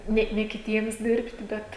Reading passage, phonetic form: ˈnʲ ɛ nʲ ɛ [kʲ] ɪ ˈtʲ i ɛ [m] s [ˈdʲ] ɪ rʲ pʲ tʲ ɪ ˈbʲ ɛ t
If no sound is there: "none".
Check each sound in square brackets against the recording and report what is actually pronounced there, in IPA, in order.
kʲ, m, dʲ

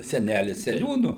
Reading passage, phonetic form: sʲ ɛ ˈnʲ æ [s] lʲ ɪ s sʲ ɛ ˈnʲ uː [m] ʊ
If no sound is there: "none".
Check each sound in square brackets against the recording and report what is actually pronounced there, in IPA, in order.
none, n

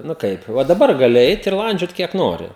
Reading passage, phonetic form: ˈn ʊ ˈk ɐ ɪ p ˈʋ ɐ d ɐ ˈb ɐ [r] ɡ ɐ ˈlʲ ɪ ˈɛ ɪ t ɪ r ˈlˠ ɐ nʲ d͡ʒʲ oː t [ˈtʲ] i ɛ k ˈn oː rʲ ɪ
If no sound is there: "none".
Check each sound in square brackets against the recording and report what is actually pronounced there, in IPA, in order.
r, kʲ

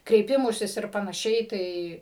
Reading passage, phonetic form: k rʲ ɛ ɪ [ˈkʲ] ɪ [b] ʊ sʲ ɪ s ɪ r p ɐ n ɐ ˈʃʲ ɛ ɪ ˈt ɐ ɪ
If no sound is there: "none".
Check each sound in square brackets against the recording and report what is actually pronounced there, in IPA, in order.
pʲ, m

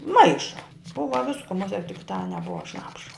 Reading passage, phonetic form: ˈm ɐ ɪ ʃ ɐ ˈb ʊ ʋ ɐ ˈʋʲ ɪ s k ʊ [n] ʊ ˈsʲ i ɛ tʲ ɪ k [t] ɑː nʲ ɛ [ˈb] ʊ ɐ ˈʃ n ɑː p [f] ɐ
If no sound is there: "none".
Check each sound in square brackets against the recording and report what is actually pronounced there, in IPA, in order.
m, t, b, ʃ

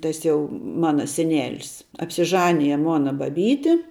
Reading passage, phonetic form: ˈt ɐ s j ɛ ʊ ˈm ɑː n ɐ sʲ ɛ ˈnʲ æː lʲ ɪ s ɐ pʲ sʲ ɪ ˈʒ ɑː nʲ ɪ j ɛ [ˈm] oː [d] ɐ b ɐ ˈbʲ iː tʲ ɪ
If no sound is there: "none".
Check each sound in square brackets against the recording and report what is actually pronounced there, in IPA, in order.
m, n

